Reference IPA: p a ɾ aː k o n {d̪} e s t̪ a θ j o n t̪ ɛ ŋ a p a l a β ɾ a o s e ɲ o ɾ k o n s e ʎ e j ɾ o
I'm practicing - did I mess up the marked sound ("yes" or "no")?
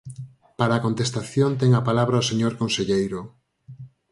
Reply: yes